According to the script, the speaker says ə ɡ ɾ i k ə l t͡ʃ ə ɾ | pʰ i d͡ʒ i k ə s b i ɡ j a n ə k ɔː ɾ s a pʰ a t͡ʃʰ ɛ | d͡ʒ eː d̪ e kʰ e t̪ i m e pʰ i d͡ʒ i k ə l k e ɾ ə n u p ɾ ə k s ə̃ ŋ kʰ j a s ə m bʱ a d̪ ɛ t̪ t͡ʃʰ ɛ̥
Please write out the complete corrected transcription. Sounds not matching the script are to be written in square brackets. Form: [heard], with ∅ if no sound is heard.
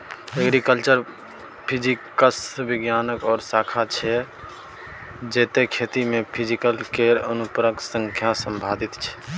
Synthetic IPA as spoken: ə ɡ ɾ i k ə l t͡ʃ ə ɾ | pʰ i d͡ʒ i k ə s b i ɡ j a n ə k ɔː ɾ s a [kʰ] a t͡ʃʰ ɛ | d͡ʒ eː [t̪] e kʰ e t̪ i m e pʰ i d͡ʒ i k ə l k e ɾ ə n u p ɾ ə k s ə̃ ŋ kʰ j a s ə m bʱ a d̪ [i] t̪ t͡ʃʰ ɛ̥

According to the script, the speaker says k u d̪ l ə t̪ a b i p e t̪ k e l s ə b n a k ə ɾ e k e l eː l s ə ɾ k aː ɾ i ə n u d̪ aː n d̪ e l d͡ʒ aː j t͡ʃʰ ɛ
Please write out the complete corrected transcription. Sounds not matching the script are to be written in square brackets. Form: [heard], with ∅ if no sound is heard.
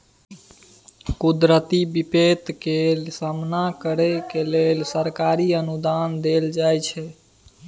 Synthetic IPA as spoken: k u d̪ [ɾ] ə t̪ [i] b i p e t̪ k e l s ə [m] n a k ə ɾ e k e l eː l s ə ɾ k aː ɾ i ə n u d̪ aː n d̪ e l d͡ʒ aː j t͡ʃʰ ɛ

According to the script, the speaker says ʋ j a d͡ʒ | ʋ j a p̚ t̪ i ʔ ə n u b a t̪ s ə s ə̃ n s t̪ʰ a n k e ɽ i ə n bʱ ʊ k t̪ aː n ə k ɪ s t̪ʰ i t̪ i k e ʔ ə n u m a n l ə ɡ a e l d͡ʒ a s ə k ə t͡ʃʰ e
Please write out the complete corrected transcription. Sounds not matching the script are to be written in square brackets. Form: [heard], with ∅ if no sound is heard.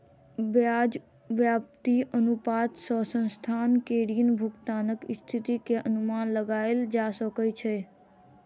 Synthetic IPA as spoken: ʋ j a d͡ʒ | ʋ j a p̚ t̪ i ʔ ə n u [p] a t̪ s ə s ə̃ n s t̪ʰ a n k e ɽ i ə n bʱ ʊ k t̪ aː n ə k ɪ s t̪ʰ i t̪ i k e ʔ ə n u m a n l ə ɡ a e l d͡ʒ a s ə k ə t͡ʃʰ e

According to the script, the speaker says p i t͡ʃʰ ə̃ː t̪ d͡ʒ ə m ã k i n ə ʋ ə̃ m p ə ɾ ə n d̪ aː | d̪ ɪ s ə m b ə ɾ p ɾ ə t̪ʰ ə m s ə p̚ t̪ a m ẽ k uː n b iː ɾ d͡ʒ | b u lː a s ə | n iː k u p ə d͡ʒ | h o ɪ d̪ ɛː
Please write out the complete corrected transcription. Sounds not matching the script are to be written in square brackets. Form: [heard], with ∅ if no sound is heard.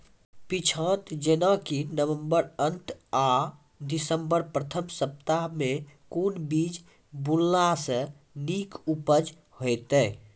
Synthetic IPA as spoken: p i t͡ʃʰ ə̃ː t̪ d͡ʒ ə [n] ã k i n ə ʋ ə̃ m [b] ə ɾ ə n [t̪] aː | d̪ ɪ s ə m b ə ɾ p ɾ ə t̪ʰ ə m s ə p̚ t̪ a m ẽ k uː n b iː [∅] d͡ʒ | b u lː a s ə | n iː k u p ə d͡ʒ | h o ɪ [t̪] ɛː

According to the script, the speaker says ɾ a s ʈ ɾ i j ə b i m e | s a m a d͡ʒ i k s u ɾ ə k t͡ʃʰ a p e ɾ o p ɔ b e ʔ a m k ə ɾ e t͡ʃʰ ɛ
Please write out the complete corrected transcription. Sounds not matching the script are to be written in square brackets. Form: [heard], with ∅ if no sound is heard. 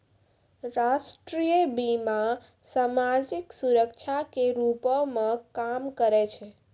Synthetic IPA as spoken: ɾ a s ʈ ɾ i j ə b i m [a] | s a m a d͡ʒ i k s u ɾ ə k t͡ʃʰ a [k] e ɾ [u] p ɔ [m] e [k] a m k ə ɾ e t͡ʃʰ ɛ

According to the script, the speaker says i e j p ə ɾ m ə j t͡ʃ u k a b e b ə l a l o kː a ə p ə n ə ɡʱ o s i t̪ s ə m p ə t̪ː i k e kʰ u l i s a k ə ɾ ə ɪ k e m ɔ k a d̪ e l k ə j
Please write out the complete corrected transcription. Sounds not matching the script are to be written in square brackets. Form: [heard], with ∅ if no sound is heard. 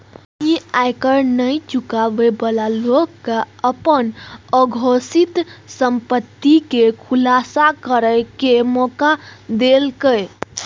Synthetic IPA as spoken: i [a] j [k] ə ɾ [n] ə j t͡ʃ u k a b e b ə l a l o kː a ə p ə n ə ɡʱ o s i t̪ s ə m p ə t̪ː i k e kʰ u l [a] s a k ə ɾ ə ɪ k e m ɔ k a d̪ e l k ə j

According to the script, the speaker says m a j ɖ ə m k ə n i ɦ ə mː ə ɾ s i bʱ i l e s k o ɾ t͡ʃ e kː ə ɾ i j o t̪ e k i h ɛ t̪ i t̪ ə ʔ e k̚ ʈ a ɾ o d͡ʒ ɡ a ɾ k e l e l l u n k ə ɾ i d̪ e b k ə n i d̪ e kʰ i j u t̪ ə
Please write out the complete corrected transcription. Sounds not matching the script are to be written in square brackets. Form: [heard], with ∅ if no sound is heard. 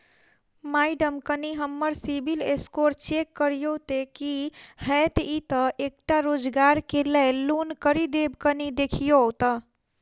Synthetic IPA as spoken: m a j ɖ ə m k ə n i ɦ ə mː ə ɾ s i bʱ i l e s k o ɾ t͡ʃ e kː ə ɾ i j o t̪ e k i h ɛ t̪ i t̪ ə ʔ e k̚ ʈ a ɾ o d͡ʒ ɡ a ɾ k e l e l l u n k ə ɾ i d̪ e b k ə n i d̪ e kʰ i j [o] t̪ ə

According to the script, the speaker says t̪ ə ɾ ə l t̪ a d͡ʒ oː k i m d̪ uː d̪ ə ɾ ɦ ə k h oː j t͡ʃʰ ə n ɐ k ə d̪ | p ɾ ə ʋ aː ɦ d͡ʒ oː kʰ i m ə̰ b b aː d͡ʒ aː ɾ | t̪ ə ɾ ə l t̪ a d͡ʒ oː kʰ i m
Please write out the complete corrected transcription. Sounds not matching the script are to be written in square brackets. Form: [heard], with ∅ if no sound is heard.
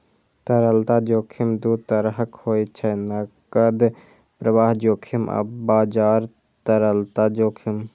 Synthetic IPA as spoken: t̪ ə ɾ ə l t̪ a d͡ʒ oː [kʰ] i m d̪ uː [t̪] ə ɾ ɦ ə k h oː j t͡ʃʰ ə n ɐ k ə d̪ | p ɾ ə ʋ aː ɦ d͡ʒ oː kʰ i m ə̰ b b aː d͡ʒ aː ɾ | t̪ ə ɾ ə l t̪ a d͡ʒ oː kʰ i m

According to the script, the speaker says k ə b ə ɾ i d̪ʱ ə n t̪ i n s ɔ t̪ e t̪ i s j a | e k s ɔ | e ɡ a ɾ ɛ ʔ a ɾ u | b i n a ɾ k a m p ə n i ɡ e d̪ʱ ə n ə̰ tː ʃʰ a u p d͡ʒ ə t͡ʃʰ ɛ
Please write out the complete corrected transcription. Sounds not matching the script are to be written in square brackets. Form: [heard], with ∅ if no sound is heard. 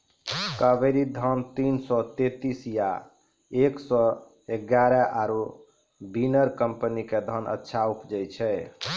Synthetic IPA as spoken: k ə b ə ɾ i d̪ʱ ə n t̪ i n s ɔ t̪ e t̪ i s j a | e k s ɔ | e ɡ a ɾ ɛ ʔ a ɾ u | b i n [ə] ɾ k [ə] m p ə n i [k] e d̪ʱ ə n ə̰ tː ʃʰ a u p d͡ʒ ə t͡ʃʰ ɛ

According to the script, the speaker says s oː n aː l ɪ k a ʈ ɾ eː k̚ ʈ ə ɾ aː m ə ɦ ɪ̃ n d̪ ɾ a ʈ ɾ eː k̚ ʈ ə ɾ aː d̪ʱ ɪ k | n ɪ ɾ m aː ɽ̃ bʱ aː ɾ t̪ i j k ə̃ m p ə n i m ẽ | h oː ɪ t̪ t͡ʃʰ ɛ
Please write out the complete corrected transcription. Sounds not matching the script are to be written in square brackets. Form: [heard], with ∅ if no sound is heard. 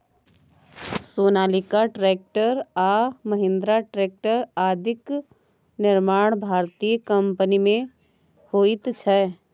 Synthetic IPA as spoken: s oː n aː l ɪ k a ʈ ɾ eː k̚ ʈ ə ɾ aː m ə ɦ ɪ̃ n d̪ ɾ a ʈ ɾ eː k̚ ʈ ə ɾ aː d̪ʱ ɪ k | n ɪ ɾ m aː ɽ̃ bʱ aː ɾ t̪ i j k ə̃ m p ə n i m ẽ | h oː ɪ t̪ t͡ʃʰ ɛ

